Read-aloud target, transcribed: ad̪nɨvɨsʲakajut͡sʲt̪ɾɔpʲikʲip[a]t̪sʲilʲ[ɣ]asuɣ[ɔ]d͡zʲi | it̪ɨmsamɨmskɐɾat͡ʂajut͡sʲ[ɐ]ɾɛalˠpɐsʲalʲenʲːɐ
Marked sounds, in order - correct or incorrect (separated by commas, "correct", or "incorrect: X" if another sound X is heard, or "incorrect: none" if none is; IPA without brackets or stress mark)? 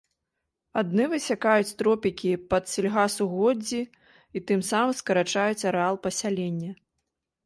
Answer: incorrect: ɐ, correct, correct, correct